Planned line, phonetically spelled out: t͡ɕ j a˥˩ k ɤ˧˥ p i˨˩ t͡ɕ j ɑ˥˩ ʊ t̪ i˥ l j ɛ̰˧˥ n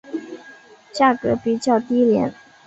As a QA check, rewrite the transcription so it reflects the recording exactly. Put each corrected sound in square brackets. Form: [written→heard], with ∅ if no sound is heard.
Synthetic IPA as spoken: t͡ɕ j a˥˩ k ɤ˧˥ p i˨˩ t͡ɕ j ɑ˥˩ ʊ t̪ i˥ l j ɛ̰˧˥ n

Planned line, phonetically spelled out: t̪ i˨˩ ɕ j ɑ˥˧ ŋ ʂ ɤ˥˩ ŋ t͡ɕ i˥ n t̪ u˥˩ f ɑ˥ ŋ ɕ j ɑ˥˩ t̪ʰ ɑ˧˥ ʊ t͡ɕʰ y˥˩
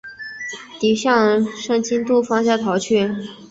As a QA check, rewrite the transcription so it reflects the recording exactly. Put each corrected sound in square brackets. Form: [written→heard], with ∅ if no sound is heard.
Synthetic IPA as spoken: t̪ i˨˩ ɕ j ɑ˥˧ ŋ ʂ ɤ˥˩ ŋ t͡ɕ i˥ n t̪ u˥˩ f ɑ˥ ŋ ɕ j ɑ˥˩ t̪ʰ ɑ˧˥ ʊ t͡ɕʰ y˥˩

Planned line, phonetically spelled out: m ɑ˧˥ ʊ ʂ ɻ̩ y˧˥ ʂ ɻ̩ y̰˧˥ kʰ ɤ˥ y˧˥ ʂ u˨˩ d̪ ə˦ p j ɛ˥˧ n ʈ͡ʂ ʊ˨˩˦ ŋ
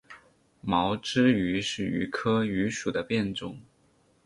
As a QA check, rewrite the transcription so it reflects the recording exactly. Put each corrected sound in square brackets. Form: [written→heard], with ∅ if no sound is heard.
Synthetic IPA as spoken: m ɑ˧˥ ʊ [ʂ→ʈ͡ʂ] ɻ̩ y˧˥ ʂ ɻ̩ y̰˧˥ kʰ ɤ˥ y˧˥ ʂ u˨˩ d̪ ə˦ p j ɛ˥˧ n ʈ͡ʂ [ʊ˨˩˦→ʊ˥˩] ŋ

